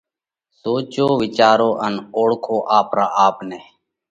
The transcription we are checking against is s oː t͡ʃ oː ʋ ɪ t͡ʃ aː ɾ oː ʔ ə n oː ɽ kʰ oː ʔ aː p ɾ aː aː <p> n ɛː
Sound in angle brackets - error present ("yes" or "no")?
no